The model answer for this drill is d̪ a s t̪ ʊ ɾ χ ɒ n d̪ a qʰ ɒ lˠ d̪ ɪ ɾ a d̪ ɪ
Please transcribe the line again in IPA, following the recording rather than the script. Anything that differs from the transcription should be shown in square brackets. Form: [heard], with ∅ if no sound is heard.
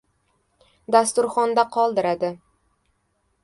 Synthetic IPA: d̪ a s t̪ ʊ ɾ χ ɒ n d̪ a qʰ ɒ lˠ d̪ ɪ ɾ a d̪ ɪ